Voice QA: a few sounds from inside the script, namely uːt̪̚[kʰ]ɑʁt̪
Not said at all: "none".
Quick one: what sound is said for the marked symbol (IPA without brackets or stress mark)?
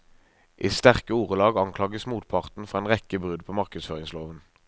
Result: pʰ